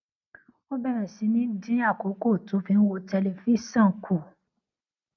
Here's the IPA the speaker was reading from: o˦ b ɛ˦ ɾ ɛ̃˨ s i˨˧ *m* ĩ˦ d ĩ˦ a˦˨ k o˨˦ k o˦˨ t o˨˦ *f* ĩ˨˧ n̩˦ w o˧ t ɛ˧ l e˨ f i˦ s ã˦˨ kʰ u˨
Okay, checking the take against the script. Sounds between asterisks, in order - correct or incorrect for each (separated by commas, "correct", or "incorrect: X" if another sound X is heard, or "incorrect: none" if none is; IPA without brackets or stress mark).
incorrect: n, correct